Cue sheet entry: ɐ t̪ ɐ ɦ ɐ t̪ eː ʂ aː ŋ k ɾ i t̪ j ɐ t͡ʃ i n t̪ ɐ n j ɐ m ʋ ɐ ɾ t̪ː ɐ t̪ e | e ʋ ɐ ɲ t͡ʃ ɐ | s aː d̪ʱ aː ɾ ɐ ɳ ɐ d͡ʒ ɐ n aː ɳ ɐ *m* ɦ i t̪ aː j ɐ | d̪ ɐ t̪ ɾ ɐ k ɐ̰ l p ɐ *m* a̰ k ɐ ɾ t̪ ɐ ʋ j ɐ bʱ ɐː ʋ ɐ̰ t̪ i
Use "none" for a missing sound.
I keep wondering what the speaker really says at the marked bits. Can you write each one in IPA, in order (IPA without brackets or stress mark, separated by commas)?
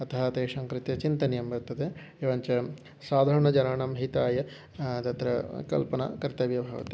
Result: m, n